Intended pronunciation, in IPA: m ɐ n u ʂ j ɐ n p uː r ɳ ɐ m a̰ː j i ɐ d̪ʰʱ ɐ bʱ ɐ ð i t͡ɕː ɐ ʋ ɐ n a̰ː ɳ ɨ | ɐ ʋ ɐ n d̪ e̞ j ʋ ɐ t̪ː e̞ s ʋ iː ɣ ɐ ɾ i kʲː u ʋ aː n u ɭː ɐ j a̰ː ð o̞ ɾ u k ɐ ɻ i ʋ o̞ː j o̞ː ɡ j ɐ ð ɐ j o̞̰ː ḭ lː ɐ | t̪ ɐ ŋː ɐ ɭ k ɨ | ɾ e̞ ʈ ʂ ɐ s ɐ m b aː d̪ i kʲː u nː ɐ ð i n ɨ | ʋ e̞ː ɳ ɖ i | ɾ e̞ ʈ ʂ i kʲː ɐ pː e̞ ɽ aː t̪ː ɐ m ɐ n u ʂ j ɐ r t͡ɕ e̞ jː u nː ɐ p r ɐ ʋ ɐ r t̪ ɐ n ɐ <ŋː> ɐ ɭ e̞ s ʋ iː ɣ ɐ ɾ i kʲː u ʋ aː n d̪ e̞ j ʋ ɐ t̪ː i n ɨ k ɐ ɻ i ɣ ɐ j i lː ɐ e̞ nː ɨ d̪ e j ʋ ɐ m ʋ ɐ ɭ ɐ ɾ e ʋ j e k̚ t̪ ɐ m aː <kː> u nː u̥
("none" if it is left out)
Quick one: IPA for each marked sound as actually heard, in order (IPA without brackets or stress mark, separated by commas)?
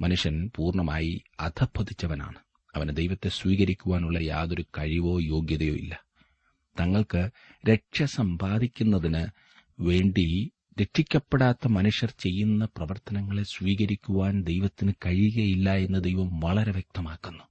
ŋː, kː